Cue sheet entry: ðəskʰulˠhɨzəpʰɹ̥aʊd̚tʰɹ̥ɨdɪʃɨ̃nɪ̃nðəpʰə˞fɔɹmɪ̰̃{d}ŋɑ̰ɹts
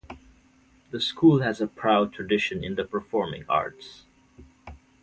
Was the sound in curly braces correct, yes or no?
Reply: no